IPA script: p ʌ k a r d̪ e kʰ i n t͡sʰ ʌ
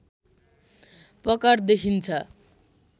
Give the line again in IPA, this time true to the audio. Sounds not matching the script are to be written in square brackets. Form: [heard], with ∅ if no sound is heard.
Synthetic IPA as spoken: p ʌ k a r d̪ e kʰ i n t͡sʰ ʌ